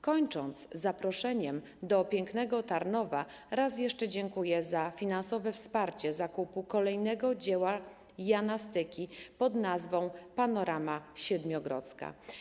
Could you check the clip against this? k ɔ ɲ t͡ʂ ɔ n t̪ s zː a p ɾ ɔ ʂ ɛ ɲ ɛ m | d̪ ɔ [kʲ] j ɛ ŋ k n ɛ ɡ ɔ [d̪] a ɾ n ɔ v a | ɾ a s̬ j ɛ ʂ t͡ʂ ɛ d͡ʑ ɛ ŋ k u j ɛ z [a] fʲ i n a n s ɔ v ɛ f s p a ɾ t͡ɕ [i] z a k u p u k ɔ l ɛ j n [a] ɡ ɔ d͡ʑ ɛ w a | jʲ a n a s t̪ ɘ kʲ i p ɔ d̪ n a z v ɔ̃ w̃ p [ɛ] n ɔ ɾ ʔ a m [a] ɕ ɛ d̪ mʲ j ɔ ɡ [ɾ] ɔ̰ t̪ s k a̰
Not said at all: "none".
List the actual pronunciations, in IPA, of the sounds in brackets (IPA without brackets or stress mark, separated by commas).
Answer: pʲ, t̪, a, ɛ, ɛ, a, a, ɾ